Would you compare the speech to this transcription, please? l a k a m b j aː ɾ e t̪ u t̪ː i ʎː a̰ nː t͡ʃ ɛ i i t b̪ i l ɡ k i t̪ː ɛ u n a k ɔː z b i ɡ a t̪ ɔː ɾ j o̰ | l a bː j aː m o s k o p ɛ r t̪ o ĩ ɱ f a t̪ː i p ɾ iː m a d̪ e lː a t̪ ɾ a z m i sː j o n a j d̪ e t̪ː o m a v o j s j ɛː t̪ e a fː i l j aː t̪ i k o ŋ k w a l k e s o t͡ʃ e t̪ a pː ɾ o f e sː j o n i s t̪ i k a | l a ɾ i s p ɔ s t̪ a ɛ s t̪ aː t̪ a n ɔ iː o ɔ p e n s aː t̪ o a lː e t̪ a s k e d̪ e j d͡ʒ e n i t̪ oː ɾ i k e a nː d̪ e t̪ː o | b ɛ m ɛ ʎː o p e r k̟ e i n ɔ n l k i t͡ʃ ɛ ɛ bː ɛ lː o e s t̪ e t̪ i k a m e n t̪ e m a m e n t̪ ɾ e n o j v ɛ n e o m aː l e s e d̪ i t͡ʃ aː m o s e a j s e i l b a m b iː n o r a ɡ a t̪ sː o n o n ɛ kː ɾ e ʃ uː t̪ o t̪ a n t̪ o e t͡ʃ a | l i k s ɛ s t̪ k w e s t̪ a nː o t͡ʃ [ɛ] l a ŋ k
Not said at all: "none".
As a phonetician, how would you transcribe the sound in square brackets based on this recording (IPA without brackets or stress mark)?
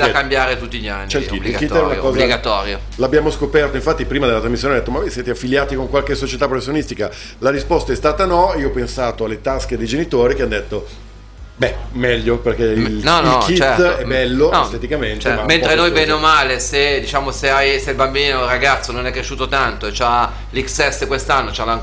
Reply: a